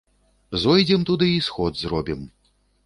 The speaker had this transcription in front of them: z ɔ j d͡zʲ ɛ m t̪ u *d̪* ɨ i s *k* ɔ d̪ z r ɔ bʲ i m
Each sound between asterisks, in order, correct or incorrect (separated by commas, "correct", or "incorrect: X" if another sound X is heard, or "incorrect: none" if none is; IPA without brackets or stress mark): correct, incorrect: x